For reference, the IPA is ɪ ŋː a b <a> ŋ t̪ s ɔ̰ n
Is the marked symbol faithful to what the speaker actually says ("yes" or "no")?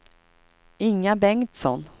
no